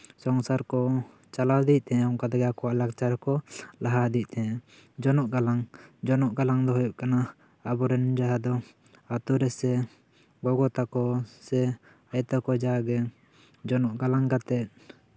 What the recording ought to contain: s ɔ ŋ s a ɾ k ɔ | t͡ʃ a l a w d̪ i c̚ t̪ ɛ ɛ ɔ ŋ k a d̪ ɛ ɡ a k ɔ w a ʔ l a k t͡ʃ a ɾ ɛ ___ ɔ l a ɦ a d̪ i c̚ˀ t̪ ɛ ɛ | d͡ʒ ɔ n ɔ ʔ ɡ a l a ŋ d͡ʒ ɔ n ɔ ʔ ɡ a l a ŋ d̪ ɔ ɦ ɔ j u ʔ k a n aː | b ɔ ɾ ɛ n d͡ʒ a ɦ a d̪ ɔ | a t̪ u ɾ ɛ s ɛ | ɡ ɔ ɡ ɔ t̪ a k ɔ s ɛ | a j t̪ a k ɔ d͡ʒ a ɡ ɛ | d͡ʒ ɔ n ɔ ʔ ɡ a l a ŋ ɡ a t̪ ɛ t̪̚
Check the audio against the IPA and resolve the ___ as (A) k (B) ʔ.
A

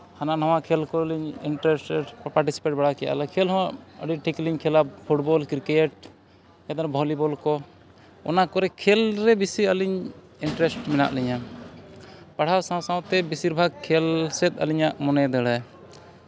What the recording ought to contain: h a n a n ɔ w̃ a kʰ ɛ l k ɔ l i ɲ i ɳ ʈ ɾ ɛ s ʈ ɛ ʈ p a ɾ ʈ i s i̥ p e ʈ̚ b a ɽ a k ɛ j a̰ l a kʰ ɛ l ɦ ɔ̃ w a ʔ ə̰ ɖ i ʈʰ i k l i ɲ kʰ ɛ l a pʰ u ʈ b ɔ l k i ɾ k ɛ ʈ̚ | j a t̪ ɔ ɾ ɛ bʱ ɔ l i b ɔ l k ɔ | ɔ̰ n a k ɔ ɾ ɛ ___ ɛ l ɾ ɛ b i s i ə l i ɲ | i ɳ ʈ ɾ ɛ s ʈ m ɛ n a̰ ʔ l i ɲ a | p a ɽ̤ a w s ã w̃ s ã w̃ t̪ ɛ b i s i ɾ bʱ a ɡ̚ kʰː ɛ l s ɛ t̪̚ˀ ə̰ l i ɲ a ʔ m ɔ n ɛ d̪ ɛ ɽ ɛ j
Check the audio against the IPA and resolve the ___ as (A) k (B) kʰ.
B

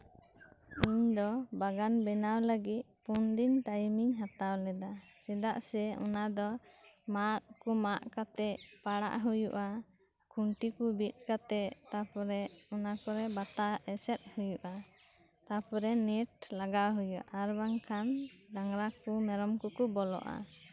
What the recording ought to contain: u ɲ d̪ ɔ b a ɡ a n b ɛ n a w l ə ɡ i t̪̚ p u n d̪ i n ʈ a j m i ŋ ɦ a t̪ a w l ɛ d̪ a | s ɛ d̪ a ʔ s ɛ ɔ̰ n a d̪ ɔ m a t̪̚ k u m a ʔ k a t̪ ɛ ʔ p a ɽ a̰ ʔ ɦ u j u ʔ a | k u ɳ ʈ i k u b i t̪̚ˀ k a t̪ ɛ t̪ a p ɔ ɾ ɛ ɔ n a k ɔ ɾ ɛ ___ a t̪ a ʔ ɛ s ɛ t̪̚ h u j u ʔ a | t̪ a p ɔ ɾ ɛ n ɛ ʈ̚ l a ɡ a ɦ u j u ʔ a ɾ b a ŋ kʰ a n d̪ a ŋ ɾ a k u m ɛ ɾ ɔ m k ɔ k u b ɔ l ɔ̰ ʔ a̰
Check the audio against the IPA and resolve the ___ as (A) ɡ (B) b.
B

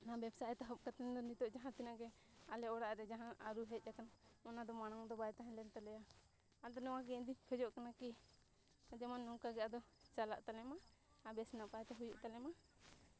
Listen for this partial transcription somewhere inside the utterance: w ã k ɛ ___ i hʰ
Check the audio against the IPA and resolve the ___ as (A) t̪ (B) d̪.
B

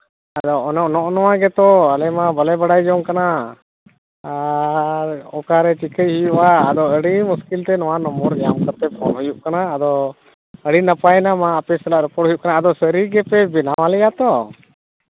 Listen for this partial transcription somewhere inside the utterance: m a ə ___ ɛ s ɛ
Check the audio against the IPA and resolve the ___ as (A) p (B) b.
A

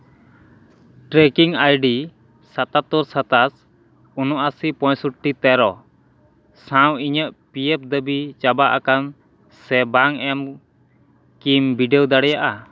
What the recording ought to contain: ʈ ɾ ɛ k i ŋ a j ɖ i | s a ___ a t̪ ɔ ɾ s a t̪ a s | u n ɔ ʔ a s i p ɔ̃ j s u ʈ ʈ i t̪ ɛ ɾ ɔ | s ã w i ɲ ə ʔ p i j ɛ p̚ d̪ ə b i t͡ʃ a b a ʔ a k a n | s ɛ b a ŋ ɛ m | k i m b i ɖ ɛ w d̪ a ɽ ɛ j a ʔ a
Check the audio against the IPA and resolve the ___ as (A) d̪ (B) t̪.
B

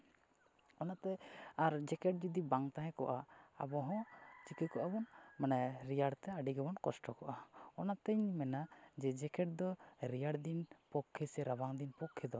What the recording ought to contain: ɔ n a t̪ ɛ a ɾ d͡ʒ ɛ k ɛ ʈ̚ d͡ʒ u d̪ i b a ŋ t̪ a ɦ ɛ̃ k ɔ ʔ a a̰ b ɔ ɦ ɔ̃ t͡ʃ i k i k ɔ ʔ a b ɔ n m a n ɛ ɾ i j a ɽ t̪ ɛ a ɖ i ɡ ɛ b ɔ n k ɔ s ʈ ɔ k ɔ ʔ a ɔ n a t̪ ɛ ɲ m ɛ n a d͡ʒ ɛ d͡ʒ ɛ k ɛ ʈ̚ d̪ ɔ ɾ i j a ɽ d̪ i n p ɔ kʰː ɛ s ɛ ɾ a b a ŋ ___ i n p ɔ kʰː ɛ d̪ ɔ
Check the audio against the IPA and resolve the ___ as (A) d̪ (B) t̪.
A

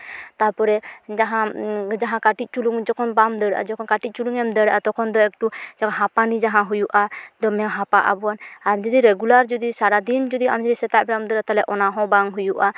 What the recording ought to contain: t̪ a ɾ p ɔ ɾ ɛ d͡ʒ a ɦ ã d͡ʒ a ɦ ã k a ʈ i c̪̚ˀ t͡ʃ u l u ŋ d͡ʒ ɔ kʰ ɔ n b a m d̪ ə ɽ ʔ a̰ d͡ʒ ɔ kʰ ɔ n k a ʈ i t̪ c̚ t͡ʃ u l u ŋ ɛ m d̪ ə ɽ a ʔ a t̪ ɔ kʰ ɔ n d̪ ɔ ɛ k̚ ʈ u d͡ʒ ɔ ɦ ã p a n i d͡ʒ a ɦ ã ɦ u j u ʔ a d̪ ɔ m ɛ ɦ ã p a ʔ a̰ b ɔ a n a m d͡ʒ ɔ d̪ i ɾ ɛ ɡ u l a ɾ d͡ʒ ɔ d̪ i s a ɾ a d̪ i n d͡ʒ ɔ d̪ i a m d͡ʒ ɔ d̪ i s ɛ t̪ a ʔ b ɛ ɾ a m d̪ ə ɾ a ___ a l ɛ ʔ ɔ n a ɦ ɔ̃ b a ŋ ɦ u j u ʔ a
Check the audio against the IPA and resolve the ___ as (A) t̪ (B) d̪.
A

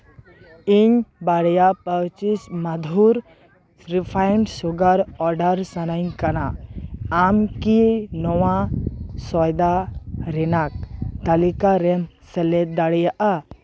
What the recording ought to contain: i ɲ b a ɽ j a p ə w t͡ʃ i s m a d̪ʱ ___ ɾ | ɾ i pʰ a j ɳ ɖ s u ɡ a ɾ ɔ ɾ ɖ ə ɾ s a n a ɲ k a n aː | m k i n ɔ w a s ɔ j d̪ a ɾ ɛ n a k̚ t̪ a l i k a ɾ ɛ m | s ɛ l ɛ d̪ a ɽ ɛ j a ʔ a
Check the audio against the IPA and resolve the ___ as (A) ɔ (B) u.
B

